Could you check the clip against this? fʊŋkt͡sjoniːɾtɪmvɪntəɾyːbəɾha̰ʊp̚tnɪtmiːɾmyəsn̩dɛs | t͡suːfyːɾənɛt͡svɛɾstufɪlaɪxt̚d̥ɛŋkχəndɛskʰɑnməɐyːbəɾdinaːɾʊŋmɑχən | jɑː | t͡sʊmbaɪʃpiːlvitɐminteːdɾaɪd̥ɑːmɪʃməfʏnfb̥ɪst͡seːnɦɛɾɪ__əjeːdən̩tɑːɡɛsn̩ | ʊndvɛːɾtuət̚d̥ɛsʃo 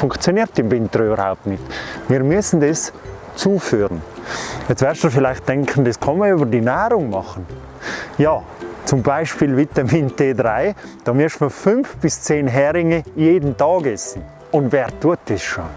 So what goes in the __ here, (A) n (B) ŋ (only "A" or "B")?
B